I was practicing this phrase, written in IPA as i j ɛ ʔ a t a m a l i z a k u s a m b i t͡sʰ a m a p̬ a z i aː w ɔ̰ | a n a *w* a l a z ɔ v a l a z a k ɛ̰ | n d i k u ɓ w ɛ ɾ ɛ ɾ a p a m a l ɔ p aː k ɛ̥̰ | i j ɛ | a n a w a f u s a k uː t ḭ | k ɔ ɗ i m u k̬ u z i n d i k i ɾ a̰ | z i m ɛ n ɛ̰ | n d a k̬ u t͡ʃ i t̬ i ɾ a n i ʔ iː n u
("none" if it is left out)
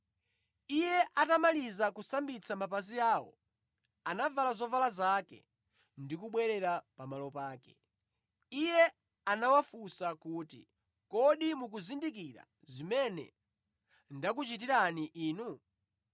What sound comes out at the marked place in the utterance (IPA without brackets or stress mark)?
v